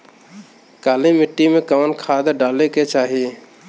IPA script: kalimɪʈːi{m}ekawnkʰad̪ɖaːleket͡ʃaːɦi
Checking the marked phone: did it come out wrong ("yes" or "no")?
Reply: no